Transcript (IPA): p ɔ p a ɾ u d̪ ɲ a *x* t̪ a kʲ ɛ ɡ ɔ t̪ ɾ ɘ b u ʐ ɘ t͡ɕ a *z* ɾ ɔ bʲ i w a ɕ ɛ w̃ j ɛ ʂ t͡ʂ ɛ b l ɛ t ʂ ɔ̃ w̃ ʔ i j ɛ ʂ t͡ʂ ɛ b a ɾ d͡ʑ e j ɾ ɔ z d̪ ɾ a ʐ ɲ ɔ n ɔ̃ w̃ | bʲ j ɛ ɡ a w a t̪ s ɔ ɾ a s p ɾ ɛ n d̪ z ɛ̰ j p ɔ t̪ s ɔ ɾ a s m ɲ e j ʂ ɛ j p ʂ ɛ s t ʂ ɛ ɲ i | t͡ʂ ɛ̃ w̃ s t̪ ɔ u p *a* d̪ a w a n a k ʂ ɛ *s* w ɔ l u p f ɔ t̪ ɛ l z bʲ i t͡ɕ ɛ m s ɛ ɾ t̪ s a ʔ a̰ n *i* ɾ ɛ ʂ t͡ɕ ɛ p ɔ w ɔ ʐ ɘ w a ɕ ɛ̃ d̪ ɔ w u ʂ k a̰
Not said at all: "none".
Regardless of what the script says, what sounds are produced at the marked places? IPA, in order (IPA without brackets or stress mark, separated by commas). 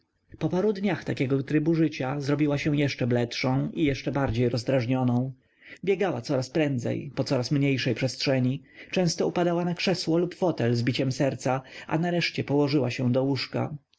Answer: x, z, a, s, a